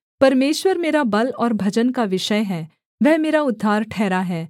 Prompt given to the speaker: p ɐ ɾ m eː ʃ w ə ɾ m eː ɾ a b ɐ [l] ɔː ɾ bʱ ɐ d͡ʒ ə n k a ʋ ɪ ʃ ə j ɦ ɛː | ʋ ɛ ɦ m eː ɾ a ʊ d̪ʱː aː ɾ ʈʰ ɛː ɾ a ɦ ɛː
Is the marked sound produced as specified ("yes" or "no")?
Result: yes